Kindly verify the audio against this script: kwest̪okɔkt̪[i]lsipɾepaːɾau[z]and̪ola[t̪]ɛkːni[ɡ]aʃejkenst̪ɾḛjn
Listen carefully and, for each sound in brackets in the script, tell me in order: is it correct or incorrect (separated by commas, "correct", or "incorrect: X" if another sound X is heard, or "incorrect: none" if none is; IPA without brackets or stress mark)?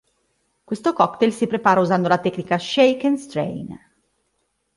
incorrect: e, correct, correct, incorrect: k